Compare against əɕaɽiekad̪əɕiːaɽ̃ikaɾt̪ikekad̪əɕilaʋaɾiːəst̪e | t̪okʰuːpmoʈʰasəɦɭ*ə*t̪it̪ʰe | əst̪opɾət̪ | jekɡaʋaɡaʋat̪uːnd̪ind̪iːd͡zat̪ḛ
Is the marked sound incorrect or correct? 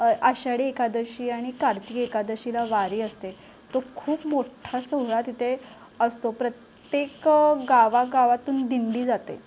incorrect: a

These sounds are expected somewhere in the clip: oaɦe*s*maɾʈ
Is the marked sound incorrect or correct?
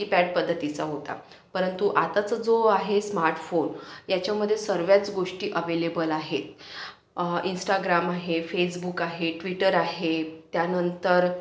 correct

